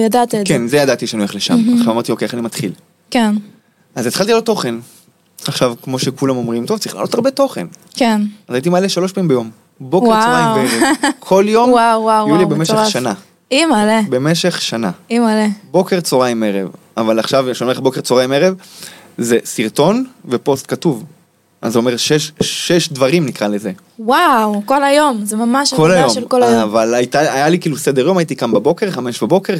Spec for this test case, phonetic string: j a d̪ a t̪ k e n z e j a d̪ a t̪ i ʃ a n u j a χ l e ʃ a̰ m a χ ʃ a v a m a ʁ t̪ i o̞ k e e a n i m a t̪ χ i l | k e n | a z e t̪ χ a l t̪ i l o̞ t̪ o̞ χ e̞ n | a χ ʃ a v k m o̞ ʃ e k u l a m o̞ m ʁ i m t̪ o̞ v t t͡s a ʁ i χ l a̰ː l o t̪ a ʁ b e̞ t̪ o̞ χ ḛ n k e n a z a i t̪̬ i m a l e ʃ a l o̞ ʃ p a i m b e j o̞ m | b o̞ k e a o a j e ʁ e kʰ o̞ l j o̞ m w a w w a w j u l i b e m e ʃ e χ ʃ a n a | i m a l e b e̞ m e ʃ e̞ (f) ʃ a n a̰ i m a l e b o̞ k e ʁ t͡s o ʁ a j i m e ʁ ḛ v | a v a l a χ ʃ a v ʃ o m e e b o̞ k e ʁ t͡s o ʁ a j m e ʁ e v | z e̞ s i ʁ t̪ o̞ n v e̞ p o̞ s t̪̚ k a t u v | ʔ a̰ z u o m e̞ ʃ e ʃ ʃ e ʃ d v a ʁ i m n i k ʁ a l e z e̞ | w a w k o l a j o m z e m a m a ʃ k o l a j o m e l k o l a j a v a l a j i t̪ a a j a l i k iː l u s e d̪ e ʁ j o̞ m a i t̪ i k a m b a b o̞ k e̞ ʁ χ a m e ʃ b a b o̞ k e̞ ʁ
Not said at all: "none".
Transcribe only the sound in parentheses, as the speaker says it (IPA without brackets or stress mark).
χ